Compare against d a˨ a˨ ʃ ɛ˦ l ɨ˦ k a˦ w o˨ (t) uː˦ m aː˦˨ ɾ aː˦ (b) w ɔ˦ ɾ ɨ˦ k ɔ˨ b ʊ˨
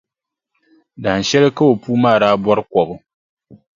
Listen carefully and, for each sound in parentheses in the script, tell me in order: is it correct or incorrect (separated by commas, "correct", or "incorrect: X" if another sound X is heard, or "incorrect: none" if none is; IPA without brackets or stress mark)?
incorrect: p, correct